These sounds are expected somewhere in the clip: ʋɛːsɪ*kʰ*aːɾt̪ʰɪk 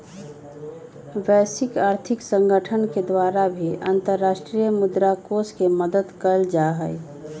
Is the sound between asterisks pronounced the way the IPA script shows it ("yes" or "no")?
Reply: no